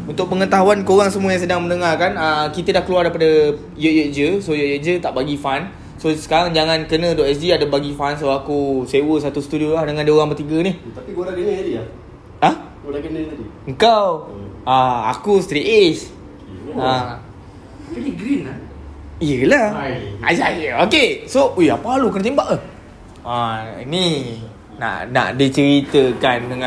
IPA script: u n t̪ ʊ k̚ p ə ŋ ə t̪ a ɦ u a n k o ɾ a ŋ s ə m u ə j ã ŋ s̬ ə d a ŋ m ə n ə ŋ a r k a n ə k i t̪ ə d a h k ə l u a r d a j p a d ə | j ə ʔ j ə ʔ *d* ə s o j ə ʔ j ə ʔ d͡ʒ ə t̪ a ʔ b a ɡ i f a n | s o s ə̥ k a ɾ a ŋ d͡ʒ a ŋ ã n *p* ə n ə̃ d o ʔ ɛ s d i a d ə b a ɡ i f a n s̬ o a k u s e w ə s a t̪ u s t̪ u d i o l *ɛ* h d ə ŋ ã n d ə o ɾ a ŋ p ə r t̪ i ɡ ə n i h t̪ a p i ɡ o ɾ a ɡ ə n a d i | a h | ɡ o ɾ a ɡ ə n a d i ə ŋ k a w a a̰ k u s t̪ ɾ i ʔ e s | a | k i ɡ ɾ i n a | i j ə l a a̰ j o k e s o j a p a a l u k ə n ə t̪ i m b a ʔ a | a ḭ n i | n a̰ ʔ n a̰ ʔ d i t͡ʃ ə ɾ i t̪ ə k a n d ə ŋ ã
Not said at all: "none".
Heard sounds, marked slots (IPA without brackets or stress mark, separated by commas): d͡ʒ, k, a